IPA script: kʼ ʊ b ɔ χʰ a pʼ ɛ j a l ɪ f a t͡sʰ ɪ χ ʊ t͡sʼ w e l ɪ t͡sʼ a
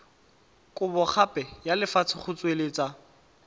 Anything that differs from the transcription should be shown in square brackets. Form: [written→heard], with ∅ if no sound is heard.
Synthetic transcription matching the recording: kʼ ʊ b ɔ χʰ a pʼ ɛ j a l ɪ f a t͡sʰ ɪ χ ʊ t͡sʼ w e l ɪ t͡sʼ a